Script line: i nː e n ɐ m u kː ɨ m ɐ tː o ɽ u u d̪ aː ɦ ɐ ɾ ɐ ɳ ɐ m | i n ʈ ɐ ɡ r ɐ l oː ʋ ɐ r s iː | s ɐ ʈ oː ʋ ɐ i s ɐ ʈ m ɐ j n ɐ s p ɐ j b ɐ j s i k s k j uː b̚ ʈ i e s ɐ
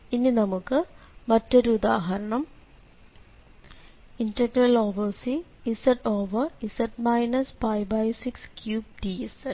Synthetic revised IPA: i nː i n ɐ m u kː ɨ m ɐ tː o ɾ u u d̪ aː ɦ ɐ ɾ ɐ ɳ ɐ m | i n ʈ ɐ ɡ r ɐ l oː ʋ ɐ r s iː | s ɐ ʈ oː ʋ ɐ i s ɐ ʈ m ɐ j n ɐ s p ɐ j b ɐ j s i k s k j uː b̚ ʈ i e s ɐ